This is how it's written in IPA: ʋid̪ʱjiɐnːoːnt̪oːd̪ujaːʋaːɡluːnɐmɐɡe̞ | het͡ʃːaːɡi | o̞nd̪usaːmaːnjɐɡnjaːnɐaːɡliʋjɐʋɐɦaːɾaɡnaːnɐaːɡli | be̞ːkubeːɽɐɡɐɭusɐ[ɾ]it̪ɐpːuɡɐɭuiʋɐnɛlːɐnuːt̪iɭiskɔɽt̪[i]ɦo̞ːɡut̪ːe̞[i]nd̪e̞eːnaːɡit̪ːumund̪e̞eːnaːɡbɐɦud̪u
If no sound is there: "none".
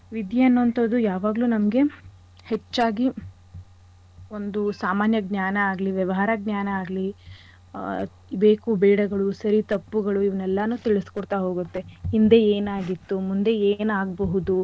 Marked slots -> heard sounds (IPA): ɾ, a, i

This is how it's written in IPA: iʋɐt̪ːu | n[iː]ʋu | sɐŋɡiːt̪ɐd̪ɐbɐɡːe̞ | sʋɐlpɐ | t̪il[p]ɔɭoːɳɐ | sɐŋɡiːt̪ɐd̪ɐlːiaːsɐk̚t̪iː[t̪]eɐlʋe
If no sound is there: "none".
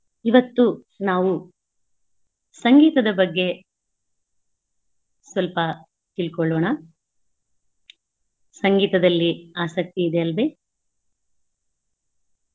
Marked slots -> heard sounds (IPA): aː, k, d̪

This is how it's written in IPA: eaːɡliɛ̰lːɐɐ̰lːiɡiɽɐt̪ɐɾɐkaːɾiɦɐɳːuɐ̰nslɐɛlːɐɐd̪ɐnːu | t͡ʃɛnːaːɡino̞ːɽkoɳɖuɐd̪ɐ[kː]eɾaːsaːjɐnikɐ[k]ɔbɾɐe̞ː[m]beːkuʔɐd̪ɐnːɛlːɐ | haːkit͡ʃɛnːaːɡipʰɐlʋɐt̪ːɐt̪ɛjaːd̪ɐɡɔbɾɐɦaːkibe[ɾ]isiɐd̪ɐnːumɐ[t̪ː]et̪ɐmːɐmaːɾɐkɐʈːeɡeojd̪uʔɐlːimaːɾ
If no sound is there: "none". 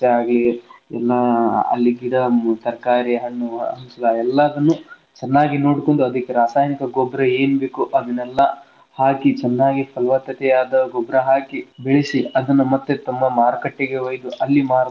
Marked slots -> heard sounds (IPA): kː, ɡ, n, ɭ, t̪ː

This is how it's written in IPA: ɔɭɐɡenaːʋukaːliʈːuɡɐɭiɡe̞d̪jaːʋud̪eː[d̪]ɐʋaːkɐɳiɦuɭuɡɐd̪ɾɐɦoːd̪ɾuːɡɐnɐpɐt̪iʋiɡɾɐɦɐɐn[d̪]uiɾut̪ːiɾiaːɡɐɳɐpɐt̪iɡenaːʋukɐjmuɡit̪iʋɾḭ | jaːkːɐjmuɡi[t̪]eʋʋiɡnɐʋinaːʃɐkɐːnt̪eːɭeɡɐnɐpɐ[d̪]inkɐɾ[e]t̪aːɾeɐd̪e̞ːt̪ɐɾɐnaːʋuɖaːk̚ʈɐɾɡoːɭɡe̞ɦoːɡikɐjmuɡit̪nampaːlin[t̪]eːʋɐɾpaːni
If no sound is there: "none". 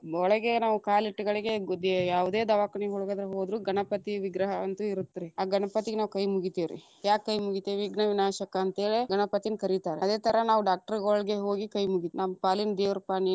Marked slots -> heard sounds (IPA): d̪, t̪, t̪, t̪, i, d̪

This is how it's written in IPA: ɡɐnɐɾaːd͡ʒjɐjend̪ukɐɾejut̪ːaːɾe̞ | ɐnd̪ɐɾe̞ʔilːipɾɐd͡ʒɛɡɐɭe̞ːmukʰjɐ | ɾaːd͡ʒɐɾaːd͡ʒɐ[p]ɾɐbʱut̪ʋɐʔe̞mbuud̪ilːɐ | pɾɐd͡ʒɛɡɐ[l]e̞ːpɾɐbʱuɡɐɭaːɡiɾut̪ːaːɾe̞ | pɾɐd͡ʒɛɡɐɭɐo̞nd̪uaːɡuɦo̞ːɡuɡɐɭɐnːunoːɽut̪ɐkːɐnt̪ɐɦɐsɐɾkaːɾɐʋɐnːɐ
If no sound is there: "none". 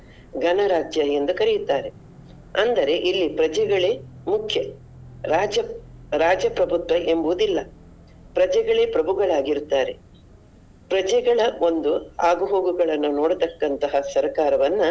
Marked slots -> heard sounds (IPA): p, ɭ

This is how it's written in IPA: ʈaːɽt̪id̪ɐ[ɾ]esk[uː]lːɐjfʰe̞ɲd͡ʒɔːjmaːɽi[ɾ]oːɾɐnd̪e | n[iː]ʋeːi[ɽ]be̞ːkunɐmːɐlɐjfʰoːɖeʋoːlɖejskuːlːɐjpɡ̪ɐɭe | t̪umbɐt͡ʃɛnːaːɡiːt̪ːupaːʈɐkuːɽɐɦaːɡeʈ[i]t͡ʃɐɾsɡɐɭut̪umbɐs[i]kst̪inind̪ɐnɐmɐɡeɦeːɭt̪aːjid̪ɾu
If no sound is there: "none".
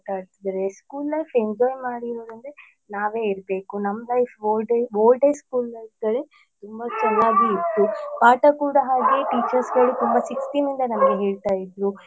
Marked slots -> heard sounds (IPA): ɾ, uː, ɾ, aː, ɾ, iː, i

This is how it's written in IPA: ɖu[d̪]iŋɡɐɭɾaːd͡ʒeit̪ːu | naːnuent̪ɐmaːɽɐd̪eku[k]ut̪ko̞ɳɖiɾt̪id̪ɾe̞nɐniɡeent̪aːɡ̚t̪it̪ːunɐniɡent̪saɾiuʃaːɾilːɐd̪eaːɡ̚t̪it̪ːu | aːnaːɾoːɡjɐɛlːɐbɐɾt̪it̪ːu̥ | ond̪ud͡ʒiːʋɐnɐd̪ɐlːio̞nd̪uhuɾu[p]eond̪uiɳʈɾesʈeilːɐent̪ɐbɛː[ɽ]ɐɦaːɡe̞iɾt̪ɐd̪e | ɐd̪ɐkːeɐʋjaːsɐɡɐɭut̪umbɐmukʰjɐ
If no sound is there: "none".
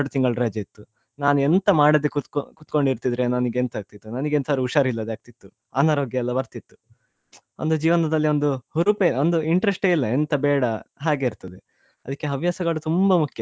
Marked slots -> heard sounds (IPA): t̪, k, p, ɽ

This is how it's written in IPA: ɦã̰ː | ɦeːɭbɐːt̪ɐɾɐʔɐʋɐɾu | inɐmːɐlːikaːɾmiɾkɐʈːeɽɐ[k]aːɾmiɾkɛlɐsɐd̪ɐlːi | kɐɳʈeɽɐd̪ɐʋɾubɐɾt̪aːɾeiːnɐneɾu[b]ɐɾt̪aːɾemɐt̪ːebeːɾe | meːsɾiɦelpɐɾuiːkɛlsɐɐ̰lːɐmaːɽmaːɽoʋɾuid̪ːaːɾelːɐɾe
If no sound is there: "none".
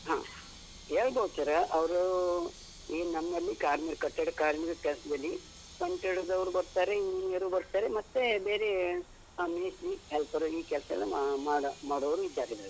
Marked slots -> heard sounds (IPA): k, b

